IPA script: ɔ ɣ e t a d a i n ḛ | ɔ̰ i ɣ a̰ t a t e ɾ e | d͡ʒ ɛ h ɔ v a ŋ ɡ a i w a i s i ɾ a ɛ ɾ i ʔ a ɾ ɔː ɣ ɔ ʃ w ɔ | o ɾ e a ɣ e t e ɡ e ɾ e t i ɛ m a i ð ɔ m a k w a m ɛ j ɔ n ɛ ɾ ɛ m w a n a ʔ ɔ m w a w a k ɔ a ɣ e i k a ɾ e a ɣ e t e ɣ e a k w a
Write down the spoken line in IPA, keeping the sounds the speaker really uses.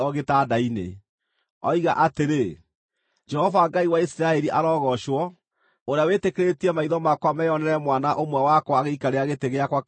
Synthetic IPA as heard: ɔ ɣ e t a d a i n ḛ | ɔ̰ i ɣ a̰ ʔ a t e ɾ e | d͡ʒ ɛ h ɔ v a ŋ ɡ a i w a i s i ɾ a ɛ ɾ i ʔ a ɾ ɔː ɣ ɔ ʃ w ɔ | o ɾ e a w e t e k e ɾ e t i ɛ m a i ð ɔ m a k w a m ɛ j ɔ n ɛ ɾ ɛ m w a n a ʔ o m w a w a k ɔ a ɣ e i k a ɾ e a ɣ e t e ɣ e a k w a